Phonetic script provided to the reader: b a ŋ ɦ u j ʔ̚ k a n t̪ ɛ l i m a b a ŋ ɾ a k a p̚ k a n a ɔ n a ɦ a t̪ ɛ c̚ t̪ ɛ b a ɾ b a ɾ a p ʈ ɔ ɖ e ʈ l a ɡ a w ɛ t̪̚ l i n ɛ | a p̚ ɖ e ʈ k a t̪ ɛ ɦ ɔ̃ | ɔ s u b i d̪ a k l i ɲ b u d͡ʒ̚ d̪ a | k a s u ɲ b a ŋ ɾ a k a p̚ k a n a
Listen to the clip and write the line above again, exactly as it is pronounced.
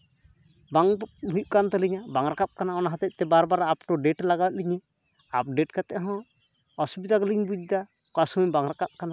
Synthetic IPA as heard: b a ŋ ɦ u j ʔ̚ k a n t̪ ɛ l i ɲ a b a ŋ ɾ a k a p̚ k a n a ɔ n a ɦ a t̪ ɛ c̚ t̪ ɛ b a ɾ b a ɾ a p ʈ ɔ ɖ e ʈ l a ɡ a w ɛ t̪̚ l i ɲ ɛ | a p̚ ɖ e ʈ k a t̪ ɛ ɦ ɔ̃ | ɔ s u b i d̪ a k l i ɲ b u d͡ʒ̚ d̪ a | k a s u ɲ b a ŋ ɾ a k a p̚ k a n a